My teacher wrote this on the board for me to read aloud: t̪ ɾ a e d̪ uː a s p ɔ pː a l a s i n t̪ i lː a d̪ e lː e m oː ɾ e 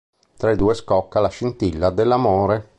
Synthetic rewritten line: t̪ ɾ a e d̪ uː e s k ɔ kː a l a ʃ i n t̪ i lː a d̪ e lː a m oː ɾ e